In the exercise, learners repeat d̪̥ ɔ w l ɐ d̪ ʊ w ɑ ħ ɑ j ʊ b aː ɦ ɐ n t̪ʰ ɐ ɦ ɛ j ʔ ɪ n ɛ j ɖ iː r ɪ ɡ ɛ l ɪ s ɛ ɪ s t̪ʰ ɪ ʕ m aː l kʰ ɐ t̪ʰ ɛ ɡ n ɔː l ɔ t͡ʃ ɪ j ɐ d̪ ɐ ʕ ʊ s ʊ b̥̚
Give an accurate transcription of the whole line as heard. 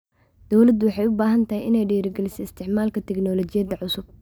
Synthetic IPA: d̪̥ ɔ w l ɐ d̪ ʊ w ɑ ħ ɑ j ʊ b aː ɦ ɐ n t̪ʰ ɐ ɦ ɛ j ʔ ɪ n ɛ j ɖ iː ɾ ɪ ɡ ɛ l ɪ s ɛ ɪ s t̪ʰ ɪ ʕ m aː l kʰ ɐ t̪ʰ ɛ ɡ n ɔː l ɔ t͡ʃ ɪ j ɐ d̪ ɐ ʕ ʊ s ʊ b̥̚

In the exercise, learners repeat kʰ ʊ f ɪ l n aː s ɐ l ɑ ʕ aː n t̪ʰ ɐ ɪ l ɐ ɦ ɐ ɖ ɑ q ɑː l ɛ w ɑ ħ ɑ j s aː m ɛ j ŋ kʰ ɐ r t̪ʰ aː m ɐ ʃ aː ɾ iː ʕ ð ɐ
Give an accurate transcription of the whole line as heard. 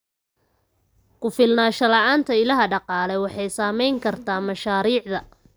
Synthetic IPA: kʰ ʊ f ɪ l n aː ʃ ɐ l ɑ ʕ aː n t̪ʰ ɐ ɪ l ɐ ɦ ɐ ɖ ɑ q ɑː l ɛ w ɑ ħ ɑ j s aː m ɛ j ŋ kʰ ɐ r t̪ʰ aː m ɐ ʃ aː ɾ iː ʕ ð ɐ

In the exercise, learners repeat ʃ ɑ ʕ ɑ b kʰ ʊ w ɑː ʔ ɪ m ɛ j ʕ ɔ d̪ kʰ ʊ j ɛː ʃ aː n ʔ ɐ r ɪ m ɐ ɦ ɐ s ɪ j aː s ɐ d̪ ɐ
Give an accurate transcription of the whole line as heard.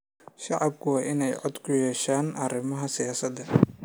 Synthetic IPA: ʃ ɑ ʕ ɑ b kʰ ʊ w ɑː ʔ ɪ n ɛ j ʕ ɔ d̪ kʰ ʊ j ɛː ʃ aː n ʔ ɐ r ɪ m ɐ ɦ ɐ s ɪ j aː s ɐ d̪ ɐ

